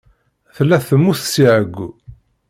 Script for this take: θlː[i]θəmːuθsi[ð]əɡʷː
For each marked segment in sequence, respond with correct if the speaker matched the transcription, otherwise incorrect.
incorrect: æ, incorrect: ʕ

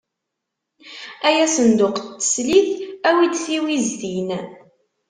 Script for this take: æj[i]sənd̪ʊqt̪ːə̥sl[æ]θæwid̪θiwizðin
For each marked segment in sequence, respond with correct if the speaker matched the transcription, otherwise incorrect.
incorrect: æ, incorrect: i

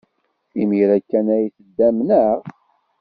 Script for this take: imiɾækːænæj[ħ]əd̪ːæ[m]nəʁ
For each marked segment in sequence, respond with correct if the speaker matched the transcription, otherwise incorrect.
incorrect: θ, correct

